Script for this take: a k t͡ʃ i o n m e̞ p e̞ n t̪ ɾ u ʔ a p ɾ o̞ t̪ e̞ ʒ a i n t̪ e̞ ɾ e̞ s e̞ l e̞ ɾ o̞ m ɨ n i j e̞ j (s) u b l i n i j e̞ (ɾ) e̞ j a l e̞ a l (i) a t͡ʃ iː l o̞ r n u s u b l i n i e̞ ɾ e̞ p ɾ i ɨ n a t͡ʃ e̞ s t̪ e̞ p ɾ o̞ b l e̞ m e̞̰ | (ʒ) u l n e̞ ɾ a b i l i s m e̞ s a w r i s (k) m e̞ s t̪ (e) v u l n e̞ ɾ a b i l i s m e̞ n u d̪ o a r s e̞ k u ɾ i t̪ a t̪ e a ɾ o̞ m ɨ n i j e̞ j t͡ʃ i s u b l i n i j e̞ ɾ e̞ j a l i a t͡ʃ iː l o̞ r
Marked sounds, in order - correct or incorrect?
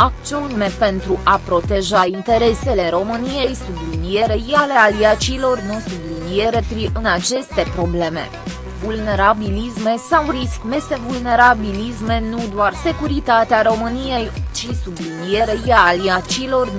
correct, correct, correct, incorrect: v, correct, correct

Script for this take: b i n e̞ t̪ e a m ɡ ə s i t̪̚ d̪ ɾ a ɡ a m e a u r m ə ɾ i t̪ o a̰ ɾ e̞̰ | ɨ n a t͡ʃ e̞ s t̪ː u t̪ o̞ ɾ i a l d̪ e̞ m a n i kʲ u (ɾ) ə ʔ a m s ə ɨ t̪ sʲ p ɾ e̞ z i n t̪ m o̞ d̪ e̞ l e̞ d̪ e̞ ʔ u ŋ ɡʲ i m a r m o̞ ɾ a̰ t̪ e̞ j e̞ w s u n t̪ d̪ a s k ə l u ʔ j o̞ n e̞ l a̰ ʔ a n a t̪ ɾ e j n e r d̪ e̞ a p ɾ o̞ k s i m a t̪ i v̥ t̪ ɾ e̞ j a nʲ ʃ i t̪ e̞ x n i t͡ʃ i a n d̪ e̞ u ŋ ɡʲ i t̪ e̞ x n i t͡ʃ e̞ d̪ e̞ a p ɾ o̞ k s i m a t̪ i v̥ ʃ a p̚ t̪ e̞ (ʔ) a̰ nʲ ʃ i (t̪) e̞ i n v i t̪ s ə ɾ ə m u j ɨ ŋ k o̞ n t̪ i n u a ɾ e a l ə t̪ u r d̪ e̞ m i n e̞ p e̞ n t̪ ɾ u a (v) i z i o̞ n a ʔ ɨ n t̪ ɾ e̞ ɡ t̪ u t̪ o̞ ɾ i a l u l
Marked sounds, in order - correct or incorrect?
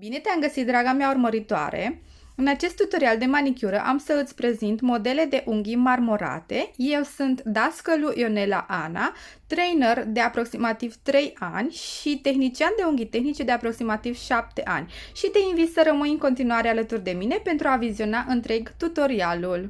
correct, correct, correct, correct

